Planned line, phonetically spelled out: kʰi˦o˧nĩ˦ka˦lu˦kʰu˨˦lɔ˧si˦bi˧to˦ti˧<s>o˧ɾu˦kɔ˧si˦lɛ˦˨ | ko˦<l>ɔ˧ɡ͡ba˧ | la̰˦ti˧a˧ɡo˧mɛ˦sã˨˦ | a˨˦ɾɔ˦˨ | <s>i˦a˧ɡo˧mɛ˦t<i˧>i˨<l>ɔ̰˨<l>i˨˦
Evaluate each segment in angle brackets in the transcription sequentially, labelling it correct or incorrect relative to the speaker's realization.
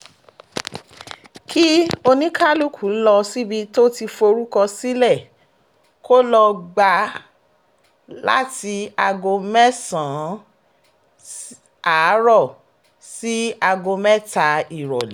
incorrect: f, correct, correct, incorrect: a˧, incorrect: ɾ, correct

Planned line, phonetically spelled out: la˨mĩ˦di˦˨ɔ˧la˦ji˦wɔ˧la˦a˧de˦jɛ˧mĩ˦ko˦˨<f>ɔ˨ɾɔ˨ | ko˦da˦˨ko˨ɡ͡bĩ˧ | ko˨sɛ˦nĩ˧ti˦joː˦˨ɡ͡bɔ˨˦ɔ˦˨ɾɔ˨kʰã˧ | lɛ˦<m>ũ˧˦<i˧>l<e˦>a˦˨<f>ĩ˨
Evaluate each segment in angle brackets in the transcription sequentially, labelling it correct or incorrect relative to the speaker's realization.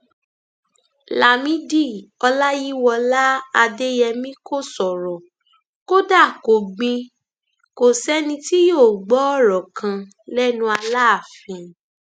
incorrect: s, incorrect: n, incorrect: a˧, incorrect: a˦, correct

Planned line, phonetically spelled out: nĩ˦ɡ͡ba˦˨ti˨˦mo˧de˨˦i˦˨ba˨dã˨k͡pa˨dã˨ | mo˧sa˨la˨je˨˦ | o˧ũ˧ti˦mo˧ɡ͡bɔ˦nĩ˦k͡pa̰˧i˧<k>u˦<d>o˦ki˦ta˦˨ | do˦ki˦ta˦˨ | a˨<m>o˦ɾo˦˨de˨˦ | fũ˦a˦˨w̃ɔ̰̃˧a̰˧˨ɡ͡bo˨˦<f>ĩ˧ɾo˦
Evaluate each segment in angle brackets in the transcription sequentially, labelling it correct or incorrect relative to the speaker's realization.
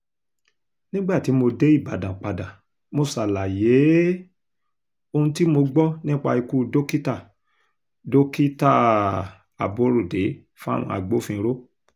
correct, correct, incorrect: b, correct

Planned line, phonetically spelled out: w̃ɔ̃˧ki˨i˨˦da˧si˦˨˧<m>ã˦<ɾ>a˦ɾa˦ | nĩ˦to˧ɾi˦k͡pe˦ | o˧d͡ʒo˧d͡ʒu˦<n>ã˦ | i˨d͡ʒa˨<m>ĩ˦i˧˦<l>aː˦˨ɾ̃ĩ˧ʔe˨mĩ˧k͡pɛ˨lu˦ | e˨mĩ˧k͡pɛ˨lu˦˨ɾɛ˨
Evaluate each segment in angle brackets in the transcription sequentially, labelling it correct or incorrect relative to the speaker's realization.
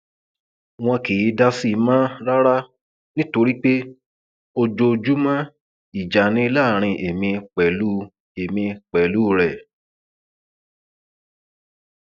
correct, correct, incorrect: m, incorrect: n, correct

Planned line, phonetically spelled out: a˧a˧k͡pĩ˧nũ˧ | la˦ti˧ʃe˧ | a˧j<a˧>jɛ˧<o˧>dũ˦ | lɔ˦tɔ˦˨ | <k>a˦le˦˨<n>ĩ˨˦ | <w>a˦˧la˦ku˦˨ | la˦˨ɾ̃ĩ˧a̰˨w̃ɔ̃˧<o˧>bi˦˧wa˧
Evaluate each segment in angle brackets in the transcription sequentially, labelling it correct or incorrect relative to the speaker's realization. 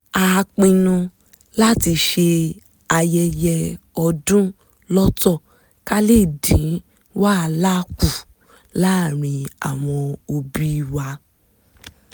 incorrect: ɛ˧, incorrect: ɔ˧, correct, incorrect: d, correct, correct

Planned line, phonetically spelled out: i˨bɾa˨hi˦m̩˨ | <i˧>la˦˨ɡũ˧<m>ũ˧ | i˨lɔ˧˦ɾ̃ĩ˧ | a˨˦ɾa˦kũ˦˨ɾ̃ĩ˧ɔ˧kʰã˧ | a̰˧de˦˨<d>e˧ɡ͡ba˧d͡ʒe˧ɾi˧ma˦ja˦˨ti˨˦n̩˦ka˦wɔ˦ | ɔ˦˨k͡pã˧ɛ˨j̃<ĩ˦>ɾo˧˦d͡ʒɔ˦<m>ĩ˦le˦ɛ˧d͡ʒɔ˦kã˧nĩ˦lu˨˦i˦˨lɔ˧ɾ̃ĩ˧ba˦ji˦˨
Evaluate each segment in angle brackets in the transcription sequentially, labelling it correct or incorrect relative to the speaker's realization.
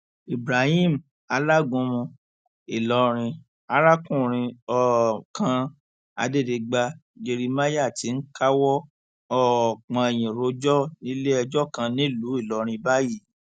incorrect: a˧, correct, correct, incorrect: ĩ˨, incorrect: n

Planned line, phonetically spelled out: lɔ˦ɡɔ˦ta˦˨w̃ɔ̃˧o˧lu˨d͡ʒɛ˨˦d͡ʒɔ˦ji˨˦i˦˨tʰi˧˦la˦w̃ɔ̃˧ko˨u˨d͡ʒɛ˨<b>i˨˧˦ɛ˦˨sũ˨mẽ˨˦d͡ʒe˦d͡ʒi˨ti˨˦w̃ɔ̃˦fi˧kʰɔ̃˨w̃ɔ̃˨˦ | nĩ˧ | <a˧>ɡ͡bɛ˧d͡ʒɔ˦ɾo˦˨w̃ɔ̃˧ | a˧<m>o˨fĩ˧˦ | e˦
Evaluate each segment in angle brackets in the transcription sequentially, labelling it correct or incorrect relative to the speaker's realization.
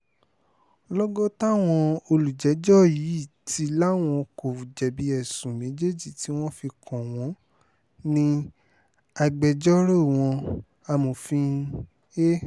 correct, correct, correct

